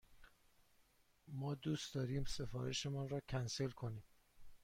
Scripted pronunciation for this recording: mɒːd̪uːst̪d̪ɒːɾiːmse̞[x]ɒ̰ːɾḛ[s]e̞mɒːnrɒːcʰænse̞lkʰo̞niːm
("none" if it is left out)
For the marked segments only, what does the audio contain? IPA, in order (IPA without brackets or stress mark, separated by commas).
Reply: f, ʃ